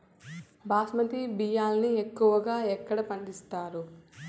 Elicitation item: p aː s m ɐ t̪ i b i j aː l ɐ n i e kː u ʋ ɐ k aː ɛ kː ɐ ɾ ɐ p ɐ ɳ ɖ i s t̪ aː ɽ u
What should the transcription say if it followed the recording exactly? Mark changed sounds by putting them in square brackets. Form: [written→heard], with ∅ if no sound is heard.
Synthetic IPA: [p→b] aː s m ɐ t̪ i b i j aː l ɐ n i e kː u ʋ ɐ [k→ɡ] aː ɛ kː ɐ [ɾ→ɽ] ɐ p ɐ ɳ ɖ i s t̪ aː [ɽ→ɾ] u